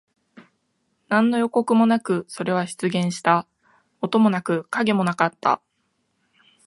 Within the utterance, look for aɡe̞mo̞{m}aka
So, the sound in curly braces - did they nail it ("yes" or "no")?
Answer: no